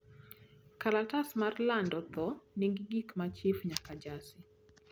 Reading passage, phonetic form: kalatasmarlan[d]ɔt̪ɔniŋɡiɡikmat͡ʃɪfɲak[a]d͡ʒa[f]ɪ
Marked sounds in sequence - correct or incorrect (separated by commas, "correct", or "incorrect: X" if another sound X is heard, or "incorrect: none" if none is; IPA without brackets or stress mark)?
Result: correct, correct, incorrect: s